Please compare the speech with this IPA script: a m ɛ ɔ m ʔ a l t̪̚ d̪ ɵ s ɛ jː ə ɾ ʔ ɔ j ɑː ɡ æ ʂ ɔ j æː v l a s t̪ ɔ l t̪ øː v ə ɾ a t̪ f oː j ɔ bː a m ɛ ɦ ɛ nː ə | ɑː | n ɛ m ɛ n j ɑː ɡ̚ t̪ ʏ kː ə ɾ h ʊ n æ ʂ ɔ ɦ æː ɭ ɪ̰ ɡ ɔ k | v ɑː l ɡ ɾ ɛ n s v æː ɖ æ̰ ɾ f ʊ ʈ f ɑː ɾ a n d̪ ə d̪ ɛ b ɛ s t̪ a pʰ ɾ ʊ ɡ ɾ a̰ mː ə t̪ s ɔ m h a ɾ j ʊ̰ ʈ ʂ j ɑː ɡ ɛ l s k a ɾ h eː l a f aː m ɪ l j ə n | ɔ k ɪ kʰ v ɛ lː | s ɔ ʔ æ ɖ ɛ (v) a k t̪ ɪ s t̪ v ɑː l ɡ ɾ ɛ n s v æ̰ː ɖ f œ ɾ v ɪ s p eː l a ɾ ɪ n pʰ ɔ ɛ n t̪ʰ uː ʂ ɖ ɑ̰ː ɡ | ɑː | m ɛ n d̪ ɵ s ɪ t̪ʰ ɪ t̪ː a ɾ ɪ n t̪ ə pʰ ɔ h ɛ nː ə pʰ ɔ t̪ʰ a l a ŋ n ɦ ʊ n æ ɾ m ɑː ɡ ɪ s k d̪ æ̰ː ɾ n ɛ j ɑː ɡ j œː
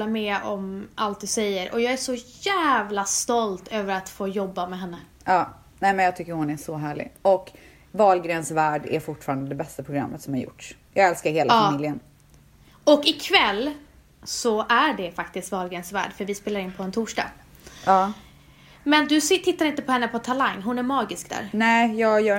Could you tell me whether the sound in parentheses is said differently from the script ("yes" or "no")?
yes